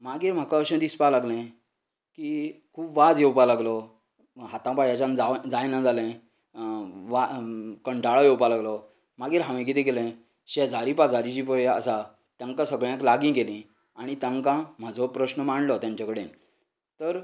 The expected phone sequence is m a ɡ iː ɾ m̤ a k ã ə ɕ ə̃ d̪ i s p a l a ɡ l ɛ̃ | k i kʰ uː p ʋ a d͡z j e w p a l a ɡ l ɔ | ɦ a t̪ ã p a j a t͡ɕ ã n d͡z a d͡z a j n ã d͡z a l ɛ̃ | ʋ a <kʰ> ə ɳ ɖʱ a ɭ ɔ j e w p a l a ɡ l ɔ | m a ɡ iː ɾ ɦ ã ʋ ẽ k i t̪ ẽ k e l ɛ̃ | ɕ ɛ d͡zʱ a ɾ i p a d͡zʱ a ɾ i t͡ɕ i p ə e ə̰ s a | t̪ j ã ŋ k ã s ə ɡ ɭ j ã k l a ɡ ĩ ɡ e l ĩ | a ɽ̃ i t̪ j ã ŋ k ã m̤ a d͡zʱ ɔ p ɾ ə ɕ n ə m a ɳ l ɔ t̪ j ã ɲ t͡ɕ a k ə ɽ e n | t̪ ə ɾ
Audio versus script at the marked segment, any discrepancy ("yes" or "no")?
yes